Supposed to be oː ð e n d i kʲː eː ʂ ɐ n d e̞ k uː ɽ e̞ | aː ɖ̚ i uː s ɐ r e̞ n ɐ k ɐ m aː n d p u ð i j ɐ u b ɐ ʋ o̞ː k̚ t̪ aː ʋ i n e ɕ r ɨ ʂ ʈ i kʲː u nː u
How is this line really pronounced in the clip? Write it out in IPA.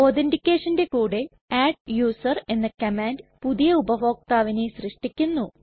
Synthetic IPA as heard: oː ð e n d i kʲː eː ʂ ɐ n d e̞ k uː ɽ e̞ | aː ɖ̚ j uː s ɐ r e̞ nː ɐ k ɐ m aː n d p u ð i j ɐ u b ɐ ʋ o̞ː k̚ t̪ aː ʋ i n e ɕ r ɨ ʂ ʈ i kʲː u nː u

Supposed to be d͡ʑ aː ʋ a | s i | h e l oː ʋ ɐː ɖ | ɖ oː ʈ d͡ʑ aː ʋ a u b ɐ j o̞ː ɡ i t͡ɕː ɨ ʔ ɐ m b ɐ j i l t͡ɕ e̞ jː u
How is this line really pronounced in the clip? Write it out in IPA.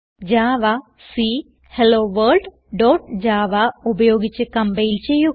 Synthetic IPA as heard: d͡ʑ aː ʋ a | s i | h e l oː ʋ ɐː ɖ | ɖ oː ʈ d͡ʑ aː ʋ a u b ɐ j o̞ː ɡ i t͡ɕː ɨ k ɐ m b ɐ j i l t͡ɕ e̞ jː u

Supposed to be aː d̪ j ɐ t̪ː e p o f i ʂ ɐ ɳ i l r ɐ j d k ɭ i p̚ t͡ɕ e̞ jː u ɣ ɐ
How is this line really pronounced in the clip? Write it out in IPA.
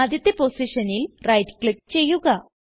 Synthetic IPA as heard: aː d̪ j ɐ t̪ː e p o s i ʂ ɐ n i l r ɐ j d k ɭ i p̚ t͡ɕ e̞ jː u ɣ ɐ

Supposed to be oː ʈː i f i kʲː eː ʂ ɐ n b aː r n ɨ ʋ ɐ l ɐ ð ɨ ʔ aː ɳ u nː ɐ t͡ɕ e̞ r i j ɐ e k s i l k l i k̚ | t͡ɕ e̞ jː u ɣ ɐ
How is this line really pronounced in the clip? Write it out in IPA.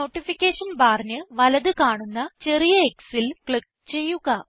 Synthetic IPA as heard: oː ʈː i f i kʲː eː ʂ ɐ n b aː r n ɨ ʋ ɐ l ɐ ð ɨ k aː ɳ u nː ɐ t͡ɕ e̞ r i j ɐ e k s i l k ɭ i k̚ | t͡ɕ e̞ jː u ɣ ɐ

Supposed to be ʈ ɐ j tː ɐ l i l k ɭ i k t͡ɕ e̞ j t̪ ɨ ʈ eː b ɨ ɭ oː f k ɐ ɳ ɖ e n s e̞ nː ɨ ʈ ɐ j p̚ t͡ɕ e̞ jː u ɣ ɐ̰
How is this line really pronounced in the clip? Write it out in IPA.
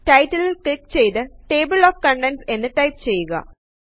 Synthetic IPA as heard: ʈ ɐ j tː ɐ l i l k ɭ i k t͡ɕ e̞ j t̪ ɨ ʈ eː b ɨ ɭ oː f k ɐ ɳ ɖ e n s e̞ nː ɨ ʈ ɐ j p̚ t͡ɕ e̞ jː u ɣ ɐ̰

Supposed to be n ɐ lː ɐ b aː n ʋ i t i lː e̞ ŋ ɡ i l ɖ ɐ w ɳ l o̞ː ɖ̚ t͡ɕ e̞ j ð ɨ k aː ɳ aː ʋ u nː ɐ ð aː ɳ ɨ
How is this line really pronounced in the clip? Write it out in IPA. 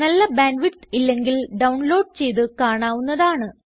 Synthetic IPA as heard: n ɐ lː ɐ b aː n ʋ i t i lː e̞ ŋ ɡ i l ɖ ɐ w ɳ l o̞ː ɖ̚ t͡ɕ e̞ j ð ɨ k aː ɳ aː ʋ u nː ɐ ð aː ɳ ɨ

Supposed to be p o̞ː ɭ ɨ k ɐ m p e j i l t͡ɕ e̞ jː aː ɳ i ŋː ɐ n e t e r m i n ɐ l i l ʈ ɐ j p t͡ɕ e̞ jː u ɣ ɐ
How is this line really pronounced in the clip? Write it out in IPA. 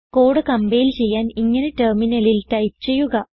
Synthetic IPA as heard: k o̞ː ɽ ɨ k ɐ m b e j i l t͡ɕ e̞ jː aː n i ŋː ɐ n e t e r m i n ɐ l i l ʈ ɐ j p t͡ɕ e̞ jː u ɣ ɐ

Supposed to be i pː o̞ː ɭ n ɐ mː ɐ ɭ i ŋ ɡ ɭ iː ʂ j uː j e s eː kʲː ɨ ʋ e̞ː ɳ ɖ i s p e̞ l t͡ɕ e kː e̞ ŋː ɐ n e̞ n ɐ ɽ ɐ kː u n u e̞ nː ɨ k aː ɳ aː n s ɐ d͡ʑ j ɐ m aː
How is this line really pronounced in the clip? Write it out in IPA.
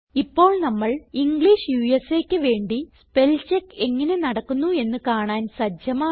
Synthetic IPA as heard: i pː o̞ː ɭ n ɐ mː ɐ ɭ i ŋ ɡ ɭ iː ʂ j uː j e s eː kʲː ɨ ʋ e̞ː ɳ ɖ i s p e̞ l t͡ɕ e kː e̞ ŋː ɐ n e̞ n ɐ ɽ ɐ kː u nː u e̞ nː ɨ k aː ɳ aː n s ɐ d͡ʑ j ɐ m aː

